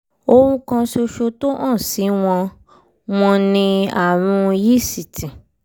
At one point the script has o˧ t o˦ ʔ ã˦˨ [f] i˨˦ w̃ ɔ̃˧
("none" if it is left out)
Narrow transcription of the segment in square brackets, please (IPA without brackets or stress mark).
s